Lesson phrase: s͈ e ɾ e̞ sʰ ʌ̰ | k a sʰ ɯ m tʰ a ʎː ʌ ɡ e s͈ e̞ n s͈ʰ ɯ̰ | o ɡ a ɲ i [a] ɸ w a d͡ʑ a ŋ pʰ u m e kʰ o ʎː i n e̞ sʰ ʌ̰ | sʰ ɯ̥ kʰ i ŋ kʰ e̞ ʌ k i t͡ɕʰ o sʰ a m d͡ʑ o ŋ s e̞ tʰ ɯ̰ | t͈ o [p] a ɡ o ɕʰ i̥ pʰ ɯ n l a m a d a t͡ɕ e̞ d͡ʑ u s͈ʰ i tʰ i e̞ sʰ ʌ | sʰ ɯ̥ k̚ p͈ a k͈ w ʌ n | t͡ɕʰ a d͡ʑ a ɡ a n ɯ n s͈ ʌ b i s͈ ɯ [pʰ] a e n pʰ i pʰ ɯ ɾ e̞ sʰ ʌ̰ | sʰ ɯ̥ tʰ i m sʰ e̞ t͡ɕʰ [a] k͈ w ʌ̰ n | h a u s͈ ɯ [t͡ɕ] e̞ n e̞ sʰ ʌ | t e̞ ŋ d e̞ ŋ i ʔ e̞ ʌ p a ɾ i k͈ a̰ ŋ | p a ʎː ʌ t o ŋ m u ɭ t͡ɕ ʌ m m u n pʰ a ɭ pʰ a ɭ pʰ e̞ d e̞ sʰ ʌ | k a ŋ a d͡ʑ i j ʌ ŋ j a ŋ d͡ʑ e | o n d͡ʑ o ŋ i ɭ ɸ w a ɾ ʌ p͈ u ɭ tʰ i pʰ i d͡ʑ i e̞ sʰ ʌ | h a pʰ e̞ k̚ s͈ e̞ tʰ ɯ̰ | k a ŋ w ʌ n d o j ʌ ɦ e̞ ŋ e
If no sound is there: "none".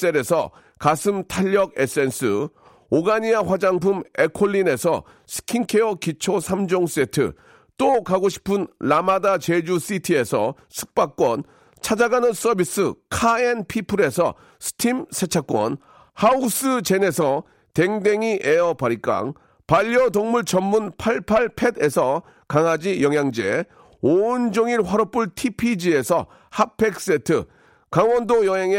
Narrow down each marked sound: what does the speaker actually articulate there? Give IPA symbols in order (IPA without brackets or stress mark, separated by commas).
a, k, kʰ, a, t͡ɕ